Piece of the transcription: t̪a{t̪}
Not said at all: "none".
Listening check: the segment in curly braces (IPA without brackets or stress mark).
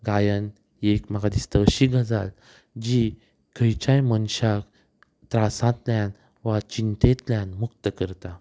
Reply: none